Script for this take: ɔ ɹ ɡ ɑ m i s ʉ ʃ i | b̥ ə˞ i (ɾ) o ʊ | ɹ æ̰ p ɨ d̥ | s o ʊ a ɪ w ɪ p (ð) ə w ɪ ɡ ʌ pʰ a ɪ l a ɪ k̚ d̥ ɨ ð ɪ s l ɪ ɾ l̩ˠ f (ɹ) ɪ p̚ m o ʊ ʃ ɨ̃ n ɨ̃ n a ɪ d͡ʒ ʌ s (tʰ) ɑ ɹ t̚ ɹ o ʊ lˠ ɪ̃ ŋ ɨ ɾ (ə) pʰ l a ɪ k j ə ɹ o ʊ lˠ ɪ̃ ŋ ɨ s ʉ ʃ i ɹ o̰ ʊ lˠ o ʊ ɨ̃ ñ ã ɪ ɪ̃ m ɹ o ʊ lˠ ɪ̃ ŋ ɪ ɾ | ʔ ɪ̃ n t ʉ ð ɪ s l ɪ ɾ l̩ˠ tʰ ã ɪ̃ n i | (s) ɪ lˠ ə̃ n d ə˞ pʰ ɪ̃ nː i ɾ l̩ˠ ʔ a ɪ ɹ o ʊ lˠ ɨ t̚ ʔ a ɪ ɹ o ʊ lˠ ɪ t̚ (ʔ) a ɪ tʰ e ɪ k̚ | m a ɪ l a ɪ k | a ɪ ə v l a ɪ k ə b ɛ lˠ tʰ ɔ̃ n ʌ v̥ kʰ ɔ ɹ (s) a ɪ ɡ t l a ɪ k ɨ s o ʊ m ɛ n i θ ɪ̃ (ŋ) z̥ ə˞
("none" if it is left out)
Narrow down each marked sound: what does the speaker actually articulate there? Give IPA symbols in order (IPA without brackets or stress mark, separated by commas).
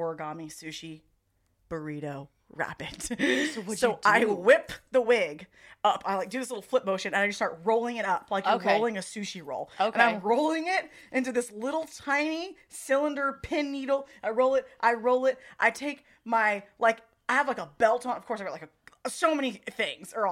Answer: ɾ, ð, l, t, ʌ, s, ʔ, s, ŋ